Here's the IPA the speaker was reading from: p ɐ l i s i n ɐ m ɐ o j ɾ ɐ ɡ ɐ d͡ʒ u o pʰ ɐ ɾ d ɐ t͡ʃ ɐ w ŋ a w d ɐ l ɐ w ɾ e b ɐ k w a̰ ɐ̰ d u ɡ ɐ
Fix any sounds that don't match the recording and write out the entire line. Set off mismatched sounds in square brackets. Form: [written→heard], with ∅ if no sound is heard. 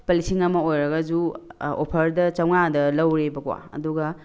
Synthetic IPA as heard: p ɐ l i s i [n→ŋ] ɐ m ɐ o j ɾ ɐ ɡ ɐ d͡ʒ u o pʰ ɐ ɾ d ɐ t͡ʃ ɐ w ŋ a [w→∅] d ɐ l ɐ w ɾ e b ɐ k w a̰ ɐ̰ d u ɡ ɐ

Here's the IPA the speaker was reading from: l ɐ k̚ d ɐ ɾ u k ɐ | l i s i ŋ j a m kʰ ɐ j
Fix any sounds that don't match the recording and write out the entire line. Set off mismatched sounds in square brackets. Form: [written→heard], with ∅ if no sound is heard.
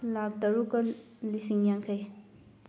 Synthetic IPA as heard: l [ɐ→a] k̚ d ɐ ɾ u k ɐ | l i s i ŋ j a [m→ŋ] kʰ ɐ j

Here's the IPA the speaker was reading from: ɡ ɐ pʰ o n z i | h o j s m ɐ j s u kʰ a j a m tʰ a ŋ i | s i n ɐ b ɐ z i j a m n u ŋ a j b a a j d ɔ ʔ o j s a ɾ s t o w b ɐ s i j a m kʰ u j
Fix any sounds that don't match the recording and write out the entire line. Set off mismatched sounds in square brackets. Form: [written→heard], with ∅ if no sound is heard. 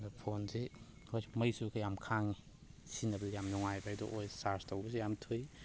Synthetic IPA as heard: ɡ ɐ pʰ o n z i | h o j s m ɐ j s u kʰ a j a m [tʰ→kʰ] a ŋ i | s i n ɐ b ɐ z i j a m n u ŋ a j b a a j d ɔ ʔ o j s a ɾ s t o w b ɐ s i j a m [kʰ→tʰ] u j

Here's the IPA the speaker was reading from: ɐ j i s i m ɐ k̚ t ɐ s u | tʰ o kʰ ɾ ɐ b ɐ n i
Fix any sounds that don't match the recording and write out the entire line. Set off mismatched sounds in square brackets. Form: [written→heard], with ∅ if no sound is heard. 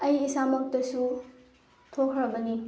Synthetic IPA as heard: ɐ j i s [i→a] m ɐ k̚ t ɐ s u | tʰ o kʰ ɾ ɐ b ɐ n i

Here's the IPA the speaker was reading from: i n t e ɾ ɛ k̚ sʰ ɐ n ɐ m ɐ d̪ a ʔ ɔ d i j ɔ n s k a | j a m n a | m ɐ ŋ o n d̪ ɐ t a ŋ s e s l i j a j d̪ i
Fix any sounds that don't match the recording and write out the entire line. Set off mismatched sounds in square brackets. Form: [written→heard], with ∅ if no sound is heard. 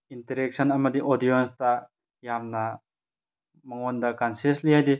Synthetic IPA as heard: i n t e ɾ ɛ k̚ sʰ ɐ n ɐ m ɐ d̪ [a→i] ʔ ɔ d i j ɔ n s [k→t] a | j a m n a | m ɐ ŋ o n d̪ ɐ [t→k] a [ŋ→n] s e s l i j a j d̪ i

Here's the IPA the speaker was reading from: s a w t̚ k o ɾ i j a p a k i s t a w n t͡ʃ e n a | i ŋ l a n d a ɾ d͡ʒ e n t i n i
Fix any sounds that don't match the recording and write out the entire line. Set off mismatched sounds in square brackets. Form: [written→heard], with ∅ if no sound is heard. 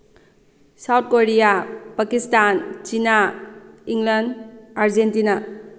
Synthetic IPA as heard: s a w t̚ k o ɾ i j a p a k i s t a [w→∅] n t͡ʃ [e→i] n a | i ŋ l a n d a ɾ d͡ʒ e n t i n [i→a]

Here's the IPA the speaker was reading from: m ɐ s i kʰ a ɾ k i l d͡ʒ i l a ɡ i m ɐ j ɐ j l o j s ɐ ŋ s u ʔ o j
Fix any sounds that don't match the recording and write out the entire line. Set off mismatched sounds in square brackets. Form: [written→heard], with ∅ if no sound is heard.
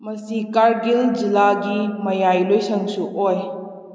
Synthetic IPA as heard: m ɐ s i [kʰ→k] a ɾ [k→ɡ] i l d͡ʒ i l a ɡ i m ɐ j [ɐ→a] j l o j s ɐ ŋ s u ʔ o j

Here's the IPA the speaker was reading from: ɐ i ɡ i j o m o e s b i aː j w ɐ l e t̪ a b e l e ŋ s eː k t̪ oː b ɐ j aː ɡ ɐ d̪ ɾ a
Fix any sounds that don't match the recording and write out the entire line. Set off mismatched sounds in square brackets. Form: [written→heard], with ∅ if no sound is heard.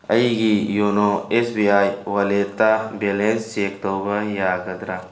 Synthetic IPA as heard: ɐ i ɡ i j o [m→n] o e s b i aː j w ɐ l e t̪ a b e l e [ŋ→n] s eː k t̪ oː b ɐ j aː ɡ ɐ d̪ ɾ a

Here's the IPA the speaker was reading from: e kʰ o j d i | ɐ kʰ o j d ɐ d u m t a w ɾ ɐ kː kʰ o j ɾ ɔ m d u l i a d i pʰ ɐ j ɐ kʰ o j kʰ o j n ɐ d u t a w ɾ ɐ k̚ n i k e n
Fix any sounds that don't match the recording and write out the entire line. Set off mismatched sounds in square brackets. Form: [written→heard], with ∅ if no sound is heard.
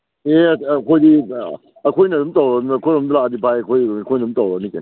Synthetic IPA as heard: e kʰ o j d i | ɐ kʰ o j [d→n] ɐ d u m t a w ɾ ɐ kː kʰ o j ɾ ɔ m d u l [i→a] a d i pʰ [ɐ→a] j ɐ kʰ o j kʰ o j n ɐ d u t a w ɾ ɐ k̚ n i k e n

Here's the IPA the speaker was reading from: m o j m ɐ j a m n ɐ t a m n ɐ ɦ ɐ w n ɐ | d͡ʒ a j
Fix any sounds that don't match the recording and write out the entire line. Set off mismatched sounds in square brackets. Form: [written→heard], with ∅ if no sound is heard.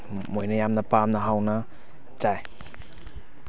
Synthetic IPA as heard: m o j [m→n] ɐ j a m n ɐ [t→p] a m n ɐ ɦ [ɐ→a] w n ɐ | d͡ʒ a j

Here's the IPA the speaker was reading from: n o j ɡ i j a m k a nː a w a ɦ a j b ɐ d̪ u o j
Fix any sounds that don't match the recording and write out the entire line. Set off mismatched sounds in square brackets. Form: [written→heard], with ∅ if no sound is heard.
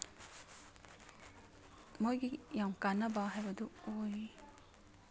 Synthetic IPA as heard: [n→m] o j ɡ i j a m k a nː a [w→b] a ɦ a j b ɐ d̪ u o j

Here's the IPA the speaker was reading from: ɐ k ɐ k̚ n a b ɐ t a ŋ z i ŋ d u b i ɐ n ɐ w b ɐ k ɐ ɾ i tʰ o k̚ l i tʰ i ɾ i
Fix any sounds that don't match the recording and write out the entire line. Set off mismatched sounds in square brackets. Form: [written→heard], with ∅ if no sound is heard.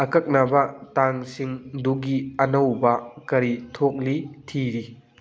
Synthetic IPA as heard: ɐ k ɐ k̚ n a b ɐ t a ŋ [z→s] i ŋ d u [b→ɡ] i ɐ n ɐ w b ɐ k ɐ ɾ i tʰ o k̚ l i tʰ i ɾ i

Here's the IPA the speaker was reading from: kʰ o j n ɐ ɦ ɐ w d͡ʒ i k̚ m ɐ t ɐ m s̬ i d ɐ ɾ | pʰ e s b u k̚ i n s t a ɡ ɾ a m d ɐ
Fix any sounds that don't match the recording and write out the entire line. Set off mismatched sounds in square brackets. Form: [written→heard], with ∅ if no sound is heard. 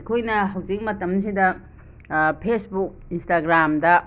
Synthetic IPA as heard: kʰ o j n ɐ ɦ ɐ w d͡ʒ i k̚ m ɐ t ɐ m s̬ i d ɐ [ɾ→∅] | pʰ e s b u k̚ i n s t a ɡ ɾ a m d ɐ

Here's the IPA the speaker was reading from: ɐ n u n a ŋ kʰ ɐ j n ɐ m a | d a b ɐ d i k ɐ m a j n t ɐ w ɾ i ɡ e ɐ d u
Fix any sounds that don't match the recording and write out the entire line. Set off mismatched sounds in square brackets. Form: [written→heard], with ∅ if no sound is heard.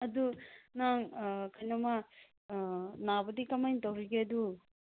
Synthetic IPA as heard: ɐ [n→d] u n a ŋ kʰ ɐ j n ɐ m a | [d→n] a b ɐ d i k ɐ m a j n t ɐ w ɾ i ɡ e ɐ d u

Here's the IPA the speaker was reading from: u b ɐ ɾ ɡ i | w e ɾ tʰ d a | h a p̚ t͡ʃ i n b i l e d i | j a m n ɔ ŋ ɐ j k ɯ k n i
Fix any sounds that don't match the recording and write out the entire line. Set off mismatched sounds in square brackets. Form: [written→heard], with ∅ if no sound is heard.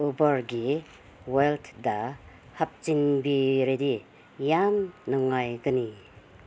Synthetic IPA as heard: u b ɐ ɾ ɡ i | w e [ɾ→l] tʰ d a | h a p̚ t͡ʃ i n b i [l→ɾ] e d i | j a m n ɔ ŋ [ɐ→a] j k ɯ [k→∅] n i

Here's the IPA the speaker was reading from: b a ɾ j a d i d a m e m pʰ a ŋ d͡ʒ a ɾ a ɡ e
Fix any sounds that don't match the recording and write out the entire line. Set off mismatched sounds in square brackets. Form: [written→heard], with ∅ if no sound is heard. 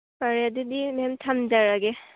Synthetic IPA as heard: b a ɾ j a d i d [a→i] m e m [pʰ→tʰ] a [ŋ→m] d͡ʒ a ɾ a ɡ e

